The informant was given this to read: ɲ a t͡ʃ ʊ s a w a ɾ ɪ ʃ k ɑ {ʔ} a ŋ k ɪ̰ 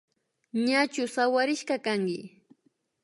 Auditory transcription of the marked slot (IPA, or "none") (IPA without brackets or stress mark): k